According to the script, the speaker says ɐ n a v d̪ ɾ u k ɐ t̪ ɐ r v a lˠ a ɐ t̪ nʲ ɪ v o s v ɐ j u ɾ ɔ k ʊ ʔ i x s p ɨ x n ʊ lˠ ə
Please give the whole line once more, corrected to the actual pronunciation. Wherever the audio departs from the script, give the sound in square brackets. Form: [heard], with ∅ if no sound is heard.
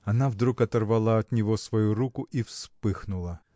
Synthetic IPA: ɐ n a v d̪ ɾ u k ɐ t̪ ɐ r v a lˠ a ɐ t̪ nʲ ɪ v o s v ɐ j u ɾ [u] k ʊ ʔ i [f] s p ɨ x n ʊ lˠ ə